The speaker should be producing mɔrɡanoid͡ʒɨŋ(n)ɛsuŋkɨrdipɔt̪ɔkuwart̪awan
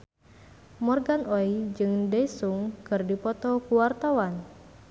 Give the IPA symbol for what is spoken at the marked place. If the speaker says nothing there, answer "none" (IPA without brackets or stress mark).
d